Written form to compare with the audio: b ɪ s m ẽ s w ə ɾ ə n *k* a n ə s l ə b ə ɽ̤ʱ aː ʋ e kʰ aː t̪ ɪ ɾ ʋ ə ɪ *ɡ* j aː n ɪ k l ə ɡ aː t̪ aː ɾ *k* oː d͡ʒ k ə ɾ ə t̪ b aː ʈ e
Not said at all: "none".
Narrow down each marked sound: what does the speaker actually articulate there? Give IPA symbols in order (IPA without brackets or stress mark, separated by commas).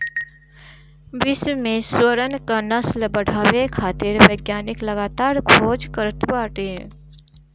k, ɡ, kʰ